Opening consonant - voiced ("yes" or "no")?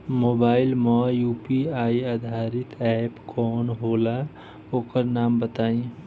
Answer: yes